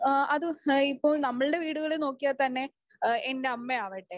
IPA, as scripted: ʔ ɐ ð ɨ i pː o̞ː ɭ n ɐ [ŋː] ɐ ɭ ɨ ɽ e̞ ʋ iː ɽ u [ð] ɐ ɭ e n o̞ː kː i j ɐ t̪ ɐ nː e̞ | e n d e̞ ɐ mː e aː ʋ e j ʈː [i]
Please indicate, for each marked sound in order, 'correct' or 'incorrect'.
incorrect, incorrect, incorrect

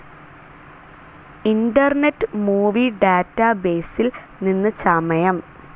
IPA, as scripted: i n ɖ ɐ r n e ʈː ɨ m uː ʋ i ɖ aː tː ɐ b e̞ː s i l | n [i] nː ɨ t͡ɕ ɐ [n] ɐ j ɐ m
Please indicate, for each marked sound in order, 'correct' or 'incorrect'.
correct, incorrect

